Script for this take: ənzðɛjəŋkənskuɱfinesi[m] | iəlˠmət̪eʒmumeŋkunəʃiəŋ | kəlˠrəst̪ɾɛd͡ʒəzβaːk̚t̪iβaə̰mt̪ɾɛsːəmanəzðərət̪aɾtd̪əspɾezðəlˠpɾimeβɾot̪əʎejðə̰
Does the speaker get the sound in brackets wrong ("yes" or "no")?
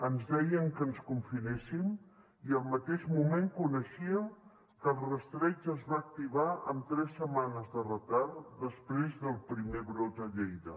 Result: no